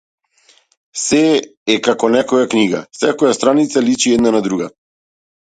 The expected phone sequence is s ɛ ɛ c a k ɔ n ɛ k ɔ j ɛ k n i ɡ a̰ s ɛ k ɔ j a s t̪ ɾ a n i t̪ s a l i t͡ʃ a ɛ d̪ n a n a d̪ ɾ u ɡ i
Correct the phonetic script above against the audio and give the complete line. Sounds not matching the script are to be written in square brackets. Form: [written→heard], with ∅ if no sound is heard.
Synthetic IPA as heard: s ɛ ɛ [c→k] a k ɔ n ɛ k ɔ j [ɛ→a] k n i ɡ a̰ s ɛ k ɔ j a s t̪ ɾ a n i t̪ s a l i t͡ʃ [a→i] ɛ d̪ n a n a d̪ ɾ u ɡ [i→a]